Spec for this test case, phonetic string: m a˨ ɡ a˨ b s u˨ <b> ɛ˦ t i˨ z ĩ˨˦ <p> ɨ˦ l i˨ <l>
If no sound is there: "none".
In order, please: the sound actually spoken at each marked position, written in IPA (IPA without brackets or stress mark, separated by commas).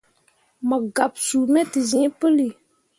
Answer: m, p, none